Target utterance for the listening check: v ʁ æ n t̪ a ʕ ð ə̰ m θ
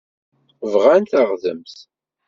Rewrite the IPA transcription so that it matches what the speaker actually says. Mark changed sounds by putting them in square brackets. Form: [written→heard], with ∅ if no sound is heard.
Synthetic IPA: v ʁ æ n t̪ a [ʕ→ʁ] ð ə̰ m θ